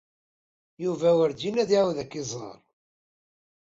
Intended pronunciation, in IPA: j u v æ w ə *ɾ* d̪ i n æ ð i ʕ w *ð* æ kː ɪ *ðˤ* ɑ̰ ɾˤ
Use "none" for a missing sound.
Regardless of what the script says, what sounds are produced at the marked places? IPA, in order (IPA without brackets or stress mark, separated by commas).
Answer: ɾ, ð, zˤ